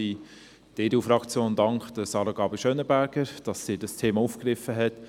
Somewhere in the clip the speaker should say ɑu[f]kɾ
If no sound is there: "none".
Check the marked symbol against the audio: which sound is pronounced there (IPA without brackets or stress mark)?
f